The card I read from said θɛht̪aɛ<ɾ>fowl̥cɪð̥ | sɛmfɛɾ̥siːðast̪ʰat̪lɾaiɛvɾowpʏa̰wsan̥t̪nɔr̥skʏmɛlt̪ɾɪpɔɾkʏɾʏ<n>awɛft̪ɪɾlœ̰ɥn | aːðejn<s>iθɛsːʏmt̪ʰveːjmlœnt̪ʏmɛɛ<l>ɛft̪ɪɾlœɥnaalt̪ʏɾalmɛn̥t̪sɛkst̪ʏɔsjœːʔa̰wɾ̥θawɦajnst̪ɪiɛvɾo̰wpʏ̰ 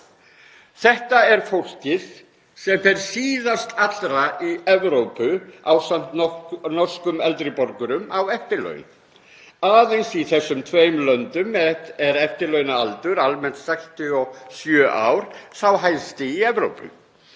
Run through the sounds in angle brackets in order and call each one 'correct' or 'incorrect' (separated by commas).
correct, incorrect, correct, incorrect